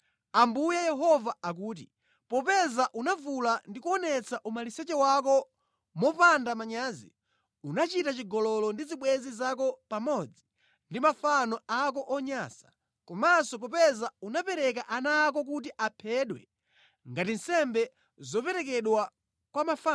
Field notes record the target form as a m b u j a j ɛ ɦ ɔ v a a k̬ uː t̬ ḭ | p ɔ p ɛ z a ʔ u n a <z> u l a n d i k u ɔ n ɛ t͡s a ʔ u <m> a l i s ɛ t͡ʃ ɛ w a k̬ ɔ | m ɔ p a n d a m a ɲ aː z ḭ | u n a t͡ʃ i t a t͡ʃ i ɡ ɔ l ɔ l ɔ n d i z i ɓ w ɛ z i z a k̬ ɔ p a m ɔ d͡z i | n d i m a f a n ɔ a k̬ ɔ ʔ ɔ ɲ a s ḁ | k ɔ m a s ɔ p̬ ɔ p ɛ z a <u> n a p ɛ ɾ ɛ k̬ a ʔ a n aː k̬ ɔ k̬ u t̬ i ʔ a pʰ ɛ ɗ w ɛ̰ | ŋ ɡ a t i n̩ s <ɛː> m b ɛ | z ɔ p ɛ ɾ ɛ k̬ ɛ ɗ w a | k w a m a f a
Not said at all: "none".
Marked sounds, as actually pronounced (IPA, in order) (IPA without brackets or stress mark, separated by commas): v, m, u, ɛ